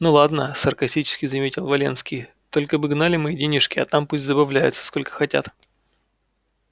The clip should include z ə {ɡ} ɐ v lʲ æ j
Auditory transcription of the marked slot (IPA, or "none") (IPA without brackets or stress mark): b